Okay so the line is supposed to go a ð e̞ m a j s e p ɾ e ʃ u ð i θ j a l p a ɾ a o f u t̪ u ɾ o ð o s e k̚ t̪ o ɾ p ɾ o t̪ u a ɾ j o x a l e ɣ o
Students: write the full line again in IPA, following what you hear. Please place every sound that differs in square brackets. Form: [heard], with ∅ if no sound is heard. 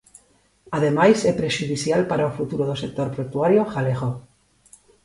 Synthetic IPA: a ð e̞ m a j s e p ɾ e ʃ u ð i θ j a l p a ɾ a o f u t̪ u ɾ o ð o s e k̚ t̪ o ɾ p ɾ o t̪ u a ɾ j o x a l e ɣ o